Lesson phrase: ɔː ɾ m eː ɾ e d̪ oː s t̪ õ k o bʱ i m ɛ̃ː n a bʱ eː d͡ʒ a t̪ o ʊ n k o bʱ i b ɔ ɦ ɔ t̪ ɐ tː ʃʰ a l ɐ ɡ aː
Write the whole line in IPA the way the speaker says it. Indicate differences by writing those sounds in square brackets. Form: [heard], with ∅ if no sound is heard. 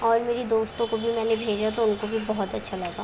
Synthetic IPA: ɔː ɾ m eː ɾ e d̪ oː s t̪ õ k o bʱ i m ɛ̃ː n [e] bʱ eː d͡ʒ a t̪ o ʊ n k o bʱ i b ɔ ɦ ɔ t̪ ɐ tː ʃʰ a l ɐ ɡ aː